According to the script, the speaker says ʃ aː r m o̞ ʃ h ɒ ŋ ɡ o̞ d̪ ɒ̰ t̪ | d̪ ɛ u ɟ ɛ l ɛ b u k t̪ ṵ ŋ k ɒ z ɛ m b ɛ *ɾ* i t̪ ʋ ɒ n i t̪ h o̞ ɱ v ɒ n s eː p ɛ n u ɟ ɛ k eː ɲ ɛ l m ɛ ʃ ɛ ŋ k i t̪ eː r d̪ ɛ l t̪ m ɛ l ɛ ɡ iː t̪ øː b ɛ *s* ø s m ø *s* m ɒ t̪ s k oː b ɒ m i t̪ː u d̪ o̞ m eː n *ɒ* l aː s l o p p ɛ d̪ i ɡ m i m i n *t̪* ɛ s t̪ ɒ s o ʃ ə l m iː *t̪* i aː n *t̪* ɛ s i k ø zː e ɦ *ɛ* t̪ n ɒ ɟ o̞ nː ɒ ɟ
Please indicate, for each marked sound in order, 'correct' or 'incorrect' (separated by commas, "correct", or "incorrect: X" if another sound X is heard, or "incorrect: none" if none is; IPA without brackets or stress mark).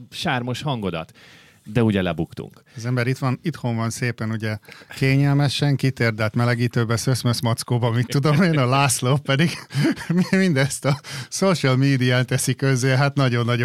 correct, correct, correct, correct, incorrect: d̪, incorrect: d̪, correct, incorrect: a